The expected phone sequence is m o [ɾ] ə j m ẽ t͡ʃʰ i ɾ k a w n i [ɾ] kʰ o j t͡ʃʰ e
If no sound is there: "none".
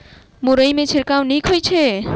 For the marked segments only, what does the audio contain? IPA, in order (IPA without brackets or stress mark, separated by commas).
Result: ɾ, none